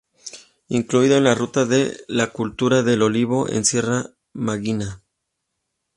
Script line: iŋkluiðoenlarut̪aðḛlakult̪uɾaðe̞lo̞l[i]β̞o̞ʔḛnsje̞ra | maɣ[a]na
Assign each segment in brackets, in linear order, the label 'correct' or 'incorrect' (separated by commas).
correct, incorrect